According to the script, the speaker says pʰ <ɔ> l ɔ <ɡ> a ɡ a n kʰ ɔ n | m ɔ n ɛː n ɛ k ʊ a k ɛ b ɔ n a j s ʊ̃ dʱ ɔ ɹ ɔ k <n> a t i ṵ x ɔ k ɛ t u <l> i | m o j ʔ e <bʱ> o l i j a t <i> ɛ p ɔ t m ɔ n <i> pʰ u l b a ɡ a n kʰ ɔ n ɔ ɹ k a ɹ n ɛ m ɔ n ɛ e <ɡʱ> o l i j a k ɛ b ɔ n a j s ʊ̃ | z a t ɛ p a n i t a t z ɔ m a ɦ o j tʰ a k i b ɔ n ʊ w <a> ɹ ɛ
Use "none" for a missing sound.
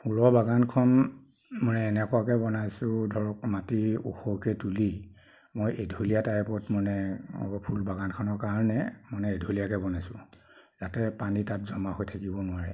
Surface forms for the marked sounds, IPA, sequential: u, b, m, l, dʱ, a, ɛ, dʱ, a

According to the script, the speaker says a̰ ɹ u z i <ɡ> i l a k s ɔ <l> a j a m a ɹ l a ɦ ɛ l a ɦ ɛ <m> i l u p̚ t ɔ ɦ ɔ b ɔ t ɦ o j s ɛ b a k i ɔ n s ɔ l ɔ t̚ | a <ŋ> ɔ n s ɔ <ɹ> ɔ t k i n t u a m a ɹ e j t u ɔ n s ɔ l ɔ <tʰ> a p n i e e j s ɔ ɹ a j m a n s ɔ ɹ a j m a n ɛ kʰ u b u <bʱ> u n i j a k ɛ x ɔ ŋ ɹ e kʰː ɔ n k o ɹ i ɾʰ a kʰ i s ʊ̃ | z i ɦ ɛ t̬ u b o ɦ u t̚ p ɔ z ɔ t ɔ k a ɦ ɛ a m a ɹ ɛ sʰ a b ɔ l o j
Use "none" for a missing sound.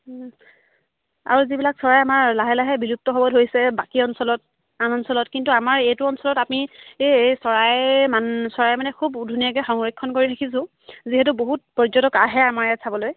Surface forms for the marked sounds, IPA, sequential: b, ɹ, b, n, l, t, dʱ

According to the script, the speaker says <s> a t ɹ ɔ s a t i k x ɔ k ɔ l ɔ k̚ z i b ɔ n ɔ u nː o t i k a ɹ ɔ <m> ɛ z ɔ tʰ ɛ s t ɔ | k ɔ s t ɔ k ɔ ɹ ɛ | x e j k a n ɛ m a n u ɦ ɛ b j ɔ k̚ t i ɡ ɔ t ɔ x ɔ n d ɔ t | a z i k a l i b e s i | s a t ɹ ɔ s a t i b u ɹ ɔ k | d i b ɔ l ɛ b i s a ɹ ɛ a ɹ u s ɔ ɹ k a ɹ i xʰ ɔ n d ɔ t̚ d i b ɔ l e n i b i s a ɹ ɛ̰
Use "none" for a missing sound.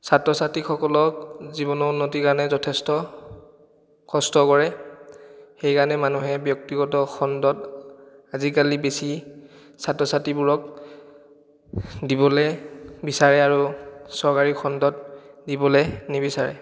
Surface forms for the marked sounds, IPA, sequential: s, n

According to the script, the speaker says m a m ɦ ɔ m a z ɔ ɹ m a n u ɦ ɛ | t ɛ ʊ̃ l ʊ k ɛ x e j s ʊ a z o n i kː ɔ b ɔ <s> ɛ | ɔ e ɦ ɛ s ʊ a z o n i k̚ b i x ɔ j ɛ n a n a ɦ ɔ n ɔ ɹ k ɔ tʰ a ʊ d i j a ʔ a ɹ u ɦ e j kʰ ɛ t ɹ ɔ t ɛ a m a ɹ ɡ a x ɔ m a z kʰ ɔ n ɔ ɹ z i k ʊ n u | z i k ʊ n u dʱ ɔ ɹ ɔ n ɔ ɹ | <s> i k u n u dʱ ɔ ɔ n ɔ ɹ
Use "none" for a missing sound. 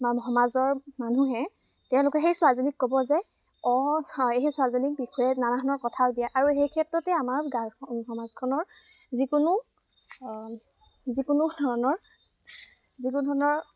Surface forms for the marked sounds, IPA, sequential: z, z

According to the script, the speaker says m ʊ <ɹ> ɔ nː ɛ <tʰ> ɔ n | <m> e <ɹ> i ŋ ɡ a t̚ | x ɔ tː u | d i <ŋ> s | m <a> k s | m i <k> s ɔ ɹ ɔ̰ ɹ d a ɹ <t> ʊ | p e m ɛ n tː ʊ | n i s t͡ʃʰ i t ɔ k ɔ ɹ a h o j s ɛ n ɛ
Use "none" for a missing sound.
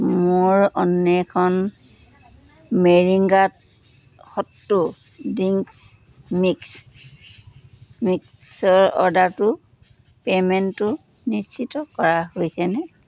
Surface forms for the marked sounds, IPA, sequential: ɹ, kʰ, m, ɹ, ŋ, i, k, t

